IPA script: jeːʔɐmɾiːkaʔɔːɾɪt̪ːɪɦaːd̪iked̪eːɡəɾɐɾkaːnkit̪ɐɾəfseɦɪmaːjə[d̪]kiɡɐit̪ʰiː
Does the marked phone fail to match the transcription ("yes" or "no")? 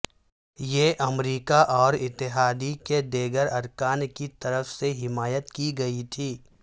yes